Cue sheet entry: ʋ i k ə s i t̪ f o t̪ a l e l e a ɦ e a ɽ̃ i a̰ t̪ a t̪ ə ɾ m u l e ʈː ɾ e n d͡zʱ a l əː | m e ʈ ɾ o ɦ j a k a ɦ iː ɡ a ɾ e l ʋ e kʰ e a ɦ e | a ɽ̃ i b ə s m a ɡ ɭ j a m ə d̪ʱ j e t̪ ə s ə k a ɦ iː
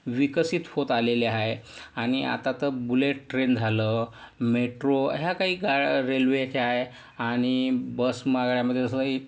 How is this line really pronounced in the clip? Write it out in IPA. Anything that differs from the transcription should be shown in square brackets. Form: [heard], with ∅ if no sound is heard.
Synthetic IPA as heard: ʋ i k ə s i t̪ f o t̪ a l e l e a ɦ e a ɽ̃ i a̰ t̪ a t̪ ə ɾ [b] u l e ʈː ɾ e n d͡zʱ a l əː | m e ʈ ɾ o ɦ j a k a ɦ iː ɡ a ɾ e l ʋ e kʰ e a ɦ e | a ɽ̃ i b ə s m a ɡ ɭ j a m ə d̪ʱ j e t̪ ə s ə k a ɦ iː